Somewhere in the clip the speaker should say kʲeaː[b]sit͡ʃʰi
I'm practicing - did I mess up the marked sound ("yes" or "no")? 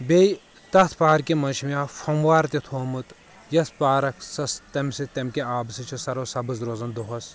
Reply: no